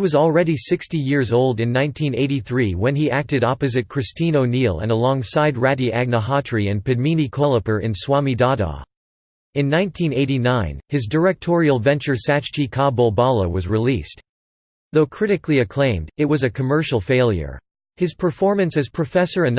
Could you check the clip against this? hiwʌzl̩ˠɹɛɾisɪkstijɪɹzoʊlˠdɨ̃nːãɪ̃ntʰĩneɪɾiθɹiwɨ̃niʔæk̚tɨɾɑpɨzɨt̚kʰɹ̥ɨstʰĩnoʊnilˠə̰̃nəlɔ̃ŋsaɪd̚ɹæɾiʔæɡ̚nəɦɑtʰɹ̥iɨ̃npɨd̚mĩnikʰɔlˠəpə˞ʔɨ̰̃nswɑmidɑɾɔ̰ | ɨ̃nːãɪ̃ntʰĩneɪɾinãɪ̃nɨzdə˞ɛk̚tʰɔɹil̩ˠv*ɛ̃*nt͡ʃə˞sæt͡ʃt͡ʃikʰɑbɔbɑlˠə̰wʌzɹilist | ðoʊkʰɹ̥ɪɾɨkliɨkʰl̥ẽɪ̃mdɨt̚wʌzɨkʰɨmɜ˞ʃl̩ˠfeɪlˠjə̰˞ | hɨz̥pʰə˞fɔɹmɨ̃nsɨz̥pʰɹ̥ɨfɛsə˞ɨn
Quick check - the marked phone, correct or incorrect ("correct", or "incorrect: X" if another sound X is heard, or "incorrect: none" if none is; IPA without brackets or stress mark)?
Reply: correct